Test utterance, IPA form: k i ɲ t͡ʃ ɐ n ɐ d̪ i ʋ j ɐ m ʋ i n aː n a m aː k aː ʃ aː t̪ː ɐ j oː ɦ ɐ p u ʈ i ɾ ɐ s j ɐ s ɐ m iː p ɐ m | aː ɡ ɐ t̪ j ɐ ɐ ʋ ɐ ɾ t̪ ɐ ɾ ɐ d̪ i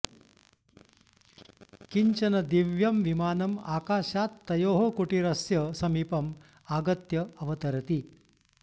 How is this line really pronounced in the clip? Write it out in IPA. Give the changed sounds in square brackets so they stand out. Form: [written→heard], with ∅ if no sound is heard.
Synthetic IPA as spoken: k i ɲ t͡ʃ ɐ n ɐ d̪ i ʋ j ɐ m ʋ i [n→m] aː n [a→ɐ] m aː k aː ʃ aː t̪ː ɐ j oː ɦ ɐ [p→k] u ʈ i ɾ ɐ s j ɐ s ɐ m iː p ɐ m | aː ɡ ɐ t̪ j ɐ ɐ ʋ ɐ [ɾ→∅] t̪ ɐ ɾ ɐ [d̪→t̪] i